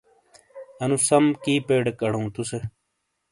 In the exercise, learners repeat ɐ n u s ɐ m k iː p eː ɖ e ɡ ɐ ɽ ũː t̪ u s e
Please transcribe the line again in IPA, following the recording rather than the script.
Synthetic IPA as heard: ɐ n u s ɐ m k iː p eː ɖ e k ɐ ɽ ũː t̪ u s e

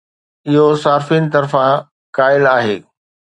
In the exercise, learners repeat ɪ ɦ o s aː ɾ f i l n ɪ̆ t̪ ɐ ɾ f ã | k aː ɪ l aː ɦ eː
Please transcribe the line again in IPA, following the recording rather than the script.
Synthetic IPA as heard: ɪ ɦ o s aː ɾ f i n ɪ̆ t̪ ɐ ɾ f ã | k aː ɪ l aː ɦ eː

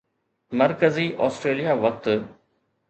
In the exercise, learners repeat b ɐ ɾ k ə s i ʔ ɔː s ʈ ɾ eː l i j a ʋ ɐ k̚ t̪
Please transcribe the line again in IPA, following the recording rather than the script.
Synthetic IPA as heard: m ɐ ɾ k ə z i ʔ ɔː s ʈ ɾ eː l i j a ʋ ɐ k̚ t̪

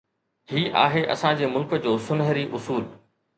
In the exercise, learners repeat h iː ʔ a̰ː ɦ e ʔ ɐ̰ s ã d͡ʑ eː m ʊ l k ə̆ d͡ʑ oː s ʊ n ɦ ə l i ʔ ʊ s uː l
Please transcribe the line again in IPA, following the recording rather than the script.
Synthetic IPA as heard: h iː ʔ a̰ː ɦ e ʔ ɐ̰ s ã d͡ʑ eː m ʊ l k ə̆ d͡ʑ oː s ʊ n ɦ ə ɾ i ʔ ʊ s uː l

